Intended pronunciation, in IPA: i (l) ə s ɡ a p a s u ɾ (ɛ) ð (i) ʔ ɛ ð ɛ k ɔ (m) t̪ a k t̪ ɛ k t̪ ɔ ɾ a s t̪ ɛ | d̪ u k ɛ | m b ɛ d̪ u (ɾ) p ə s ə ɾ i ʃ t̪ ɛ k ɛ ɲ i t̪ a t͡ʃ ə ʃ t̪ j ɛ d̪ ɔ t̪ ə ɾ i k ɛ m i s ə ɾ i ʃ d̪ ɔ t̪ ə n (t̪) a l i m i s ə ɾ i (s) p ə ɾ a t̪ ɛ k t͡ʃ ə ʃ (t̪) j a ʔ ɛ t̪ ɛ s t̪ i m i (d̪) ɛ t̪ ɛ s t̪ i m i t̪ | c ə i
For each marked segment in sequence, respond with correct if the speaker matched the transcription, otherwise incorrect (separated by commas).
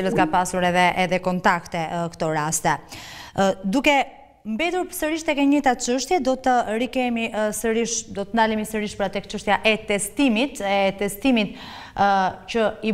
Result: correct, correct, incorrect, incorrect, correct, incorrect, incorrect, correct, incorrect